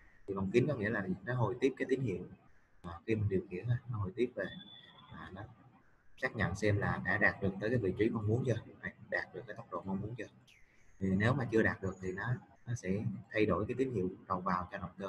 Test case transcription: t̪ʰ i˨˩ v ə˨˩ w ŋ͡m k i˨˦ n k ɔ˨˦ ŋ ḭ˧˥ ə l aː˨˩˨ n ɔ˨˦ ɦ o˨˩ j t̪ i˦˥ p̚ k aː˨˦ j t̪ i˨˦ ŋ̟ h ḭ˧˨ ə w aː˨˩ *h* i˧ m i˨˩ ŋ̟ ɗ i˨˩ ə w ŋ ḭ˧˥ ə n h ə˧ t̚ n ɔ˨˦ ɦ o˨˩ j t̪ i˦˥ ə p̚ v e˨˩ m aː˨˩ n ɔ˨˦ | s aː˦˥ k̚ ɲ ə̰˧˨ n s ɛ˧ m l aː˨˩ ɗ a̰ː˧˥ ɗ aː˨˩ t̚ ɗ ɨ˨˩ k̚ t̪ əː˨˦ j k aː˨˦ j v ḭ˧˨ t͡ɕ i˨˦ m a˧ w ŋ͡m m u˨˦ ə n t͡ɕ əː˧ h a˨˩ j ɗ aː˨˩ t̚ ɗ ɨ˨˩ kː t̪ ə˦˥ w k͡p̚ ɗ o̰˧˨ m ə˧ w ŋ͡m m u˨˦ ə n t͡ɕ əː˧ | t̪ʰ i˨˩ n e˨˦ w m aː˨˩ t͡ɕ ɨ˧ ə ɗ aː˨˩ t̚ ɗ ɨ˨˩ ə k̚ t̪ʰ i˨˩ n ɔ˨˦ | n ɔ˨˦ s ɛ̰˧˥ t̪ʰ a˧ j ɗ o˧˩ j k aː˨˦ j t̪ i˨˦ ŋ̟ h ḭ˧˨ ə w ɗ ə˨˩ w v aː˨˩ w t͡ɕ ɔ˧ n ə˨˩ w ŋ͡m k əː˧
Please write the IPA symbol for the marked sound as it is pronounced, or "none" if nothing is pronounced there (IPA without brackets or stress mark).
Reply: x